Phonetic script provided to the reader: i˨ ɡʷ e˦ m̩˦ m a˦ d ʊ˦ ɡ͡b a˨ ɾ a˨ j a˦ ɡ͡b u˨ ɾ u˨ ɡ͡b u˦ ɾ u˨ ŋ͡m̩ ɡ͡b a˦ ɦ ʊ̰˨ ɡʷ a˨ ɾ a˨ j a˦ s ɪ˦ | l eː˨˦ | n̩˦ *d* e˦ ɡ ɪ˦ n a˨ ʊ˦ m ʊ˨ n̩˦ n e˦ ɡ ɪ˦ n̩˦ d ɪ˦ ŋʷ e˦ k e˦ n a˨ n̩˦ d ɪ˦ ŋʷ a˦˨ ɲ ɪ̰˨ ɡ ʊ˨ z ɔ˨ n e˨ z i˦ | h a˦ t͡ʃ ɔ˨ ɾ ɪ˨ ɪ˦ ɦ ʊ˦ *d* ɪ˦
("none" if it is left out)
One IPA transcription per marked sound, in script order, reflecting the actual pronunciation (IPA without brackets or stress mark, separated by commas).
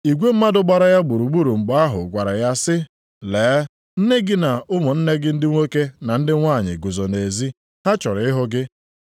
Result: n, ɡ